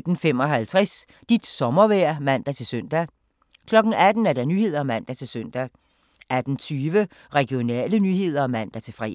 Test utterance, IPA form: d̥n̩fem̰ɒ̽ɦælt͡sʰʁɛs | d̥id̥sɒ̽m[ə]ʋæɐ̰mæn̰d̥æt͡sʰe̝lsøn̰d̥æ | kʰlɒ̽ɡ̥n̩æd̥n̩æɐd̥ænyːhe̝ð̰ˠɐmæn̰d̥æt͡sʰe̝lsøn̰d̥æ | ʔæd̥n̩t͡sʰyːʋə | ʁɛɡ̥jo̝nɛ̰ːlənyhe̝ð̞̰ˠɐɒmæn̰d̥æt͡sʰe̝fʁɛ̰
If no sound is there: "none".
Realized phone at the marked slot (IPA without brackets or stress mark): ɐ